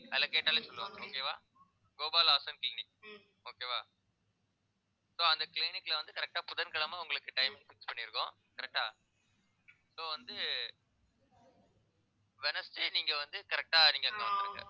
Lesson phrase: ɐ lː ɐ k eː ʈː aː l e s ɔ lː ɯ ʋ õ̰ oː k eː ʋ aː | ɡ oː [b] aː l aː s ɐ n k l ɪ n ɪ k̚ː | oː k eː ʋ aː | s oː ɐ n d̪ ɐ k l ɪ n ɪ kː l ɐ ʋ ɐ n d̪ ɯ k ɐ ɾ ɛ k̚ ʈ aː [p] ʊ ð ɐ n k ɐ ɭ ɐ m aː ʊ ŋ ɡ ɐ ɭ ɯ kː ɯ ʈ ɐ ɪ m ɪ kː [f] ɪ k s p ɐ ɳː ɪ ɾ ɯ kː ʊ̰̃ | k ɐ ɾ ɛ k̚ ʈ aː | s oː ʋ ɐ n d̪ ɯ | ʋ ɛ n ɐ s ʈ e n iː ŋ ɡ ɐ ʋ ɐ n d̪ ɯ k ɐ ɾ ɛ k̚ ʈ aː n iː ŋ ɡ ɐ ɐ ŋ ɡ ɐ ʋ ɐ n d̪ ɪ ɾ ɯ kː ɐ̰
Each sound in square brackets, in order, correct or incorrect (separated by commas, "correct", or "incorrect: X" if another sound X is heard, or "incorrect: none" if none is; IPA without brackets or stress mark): correct, correct, correct